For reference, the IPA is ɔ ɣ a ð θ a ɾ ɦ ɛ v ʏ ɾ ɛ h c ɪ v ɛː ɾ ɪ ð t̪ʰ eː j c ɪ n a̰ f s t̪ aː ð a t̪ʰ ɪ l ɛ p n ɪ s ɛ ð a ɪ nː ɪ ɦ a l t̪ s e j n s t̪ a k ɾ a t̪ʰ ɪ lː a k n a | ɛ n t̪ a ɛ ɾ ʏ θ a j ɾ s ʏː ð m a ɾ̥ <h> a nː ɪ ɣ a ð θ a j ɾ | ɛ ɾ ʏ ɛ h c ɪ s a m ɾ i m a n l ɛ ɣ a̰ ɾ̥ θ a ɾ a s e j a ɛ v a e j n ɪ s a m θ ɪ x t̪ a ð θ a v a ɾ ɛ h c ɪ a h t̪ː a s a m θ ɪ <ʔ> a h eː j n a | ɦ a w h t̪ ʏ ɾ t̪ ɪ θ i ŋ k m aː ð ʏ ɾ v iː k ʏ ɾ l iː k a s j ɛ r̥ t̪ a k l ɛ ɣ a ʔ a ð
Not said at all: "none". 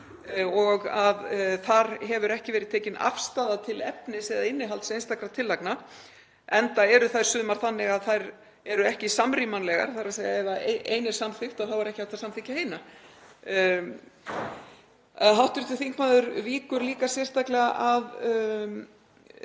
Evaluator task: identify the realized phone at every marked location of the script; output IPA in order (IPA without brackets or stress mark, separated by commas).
θ, c